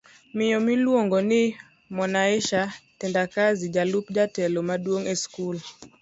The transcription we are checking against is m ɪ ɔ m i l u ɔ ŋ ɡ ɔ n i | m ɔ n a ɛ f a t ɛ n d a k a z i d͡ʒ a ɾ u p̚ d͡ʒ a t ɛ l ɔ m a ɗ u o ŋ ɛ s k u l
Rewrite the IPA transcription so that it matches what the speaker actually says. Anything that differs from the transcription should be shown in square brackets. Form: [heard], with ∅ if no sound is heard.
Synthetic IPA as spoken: m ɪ ɔ m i l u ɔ ŋ ɡ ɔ n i | m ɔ n a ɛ [ʃ] a t ɛ n d a k a z i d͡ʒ a [l] u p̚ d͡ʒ a t ɛ l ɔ m a ɗ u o ŋ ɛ s k u l

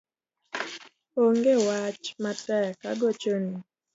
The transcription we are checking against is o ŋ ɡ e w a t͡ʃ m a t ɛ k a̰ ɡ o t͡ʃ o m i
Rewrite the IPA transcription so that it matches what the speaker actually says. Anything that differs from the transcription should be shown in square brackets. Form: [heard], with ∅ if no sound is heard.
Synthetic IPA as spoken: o ŋ ɡ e w a t͡ʃ m a t ɛ k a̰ ɡ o t͡ʃ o [n] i

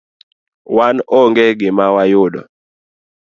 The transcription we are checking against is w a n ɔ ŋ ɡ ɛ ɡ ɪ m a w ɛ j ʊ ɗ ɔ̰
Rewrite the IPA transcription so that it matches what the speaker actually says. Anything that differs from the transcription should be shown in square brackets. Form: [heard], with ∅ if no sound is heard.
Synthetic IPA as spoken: w a n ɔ ŋ ɡ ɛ ɡ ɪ m a w [a] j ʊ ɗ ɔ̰

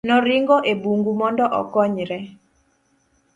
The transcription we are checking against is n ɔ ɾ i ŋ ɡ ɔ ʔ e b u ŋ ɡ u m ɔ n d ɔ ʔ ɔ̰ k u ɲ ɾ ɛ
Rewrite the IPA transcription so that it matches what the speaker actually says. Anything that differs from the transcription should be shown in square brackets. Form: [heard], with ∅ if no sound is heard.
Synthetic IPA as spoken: n ɔ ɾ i ŋ ɡ ɔ ʔ e b u ŋ ɡ u m ɔ n d ɔ ʔ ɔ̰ k [ɔ] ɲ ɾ ɛ

